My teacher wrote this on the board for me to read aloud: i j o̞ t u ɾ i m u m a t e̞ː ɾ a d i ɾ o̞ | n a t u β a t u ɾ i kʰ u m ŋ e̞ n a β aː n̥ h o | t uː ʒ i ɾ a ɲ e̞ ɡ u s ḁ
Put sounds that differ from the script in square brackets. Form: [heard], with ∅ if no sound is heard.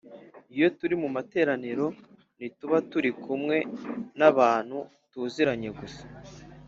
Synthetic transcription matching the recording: i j o̞ t u ɾ i m u m a t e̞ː ɾ a [n] i ɾ o̞ | n [i] t u β a t u ɾ i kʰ u m ŋ e̞ n a β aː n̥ h [u] | t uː [z] i ɾ a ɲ e̞ ɡ u s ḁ

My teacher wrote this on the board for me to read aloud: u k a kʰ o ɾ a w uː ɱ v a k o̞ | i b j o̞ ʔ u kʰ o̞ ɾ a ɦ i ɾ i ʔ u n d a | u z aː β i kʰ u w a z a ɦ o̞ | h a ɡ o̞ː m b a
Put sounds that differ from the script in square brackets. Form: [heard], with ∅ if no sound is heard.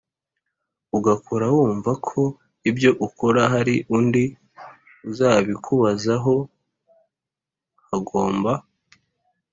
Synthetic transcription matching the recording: u [ɡ] a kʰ o ɾ a w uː ɱ v a [kʰ] o̞ | i b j o̞ ʔ u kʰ o̞ ɾ a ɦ [a] ɾ i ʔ u n d [i] | u z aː β i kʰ u [β] a z a ɦ o̞ | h a ɡ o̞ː m b a

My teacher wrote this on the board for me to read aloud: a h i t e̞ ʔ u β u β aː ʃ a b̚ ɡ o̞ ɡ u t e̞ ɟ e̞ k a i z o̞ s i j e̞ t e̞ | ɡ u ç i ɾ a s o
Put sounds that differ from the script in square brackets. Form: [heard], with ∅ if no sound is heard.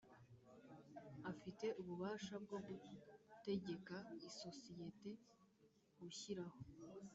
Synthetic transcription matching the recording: a [f] i t e̞ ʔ u β u β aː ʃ a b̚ ɡ o̞ ɡ u t e̞ ɟ e̞ k a i [s] o̞ s i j e̞ t e̞ | ɡ u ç i ɾ a [h] o

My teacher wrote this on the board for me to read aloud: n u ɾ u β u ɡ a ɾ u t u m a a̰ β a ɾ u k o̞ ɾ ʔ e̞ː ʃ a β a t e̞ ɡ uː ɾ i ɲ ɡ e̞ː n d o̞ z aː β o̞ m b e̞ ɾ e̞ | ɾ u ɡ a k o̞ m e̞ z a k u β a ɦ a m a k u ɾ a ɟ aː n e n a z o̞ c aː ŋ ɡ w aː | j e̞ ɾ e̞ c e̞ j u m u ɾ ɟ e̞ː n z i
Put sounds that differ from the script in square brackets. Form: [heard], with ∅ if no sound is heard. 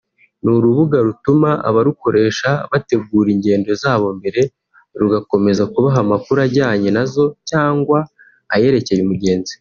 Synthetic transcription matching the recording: n u ɾ u β u ɡ a ɾ u t u m a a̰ β a ɾ u k o̞ ɾ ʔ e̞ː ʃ a β a t e̞ ɡ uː ɾ i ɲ [ɟ] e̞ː n d o̞ z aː β o̞ m b e̞ ɾ e̞ | ɾ u ɡ a k o̞ m e̞ z a k u β a ɦ a m a k u ɾ a ɟ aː [ɲ] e n a z o̞ c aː ŋ ɡ w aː | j e̞ ɾ e̞ c e̞ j u m u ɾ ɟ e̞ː n z i

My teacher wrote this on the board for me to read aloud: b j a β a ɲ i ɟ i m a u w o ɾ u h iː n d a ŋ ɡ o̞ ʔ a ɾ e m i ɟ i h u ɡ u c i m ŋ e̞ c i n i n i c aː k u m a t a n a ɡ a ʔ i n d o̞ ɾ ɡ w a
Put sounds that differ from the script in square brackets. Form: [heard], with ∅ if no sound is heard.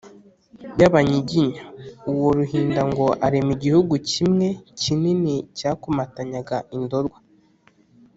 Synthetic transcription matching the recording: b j a β a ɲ i ɟ i [ɲ] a u w o ɾ u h iː n d a ŋ ɡ o̞ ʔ a ɾ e m i ɟ i h u ɡ u c i m ŋ e̞ c i n i n i c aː k u m a t a [ɲ] a ɡ a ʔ i n d o̞ ɾ ɡ w a

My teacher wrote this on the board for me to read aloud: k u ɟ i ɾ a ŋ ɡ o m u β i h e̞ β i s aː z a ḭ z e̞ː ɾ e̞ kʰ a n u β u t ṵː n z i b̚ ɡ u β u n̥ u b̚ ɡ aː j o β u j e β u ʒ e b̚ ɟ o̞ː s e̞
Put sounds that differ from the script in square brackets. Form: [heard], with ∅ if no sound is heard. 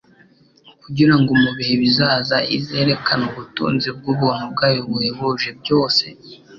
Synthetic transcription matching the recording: k u ɟ i ɾ a ŋ ɡ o m u β i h e̞ β i [z] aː z a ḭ z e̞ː ɾ e̞ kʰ a n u β u t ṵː n z i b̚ ɡ u β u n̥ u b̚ ɡ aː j o β u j e β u ʒ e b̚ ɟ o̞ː s e̞

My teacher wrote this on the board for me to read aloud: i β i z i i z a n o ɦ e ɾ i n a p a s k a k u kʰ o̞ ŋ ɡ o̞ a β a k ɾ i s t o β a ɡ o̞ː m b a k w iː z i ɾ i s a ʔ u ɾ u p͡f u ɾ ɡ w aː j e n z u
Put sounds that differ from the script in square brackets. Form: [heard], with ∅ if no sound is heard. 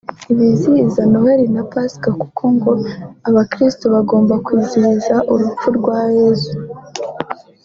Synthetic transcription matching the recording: i β i z i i z a n o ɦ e ɾ i n a p a s k a k u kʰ o̞ ŋ ɡ o̞ a β a k ɾ i s t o β a ɡ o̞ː m b a k w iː z i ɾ i [z] a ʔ u ɾ u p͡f u ɾ ɡ w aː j e [∅] z u

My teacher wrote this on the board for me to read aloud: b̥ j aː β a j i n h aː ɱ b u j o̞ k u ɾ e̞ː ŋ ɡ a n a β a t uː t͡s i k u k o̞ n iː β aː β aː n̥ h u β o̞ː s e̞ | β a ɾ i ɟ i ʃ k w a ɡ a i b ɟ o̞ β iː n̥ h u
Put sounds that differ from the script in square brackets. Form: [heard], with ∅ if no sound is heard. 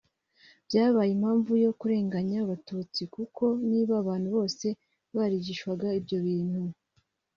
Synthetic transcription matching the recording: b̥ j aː β a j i [m] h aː ɱ [v] u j o̞ k u ɾ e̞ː ŋ ɡ a [ɲ] a β a t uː t͡s i k u k o̞ n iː β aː β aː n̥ h u β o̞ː s e̞ | β a ɾ i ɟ i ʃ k w a ɡ a i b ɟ o̞ β iː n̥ h u

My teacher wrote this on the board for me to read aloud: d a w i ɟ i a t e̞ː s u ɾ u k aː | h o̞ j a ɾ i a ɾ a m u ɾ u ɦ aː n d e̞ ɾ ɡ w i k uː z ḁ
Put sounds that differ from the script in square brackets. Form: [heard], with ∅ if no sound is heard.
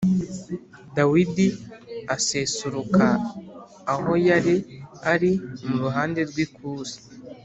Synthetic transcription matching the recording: d a w i [d] i a [s] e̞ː s u ɾ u k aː | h o̞ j a ɾ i a ɾ [i] m u ɾ u ɦ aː n d e̞ ɾ ɡ w i k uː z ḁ

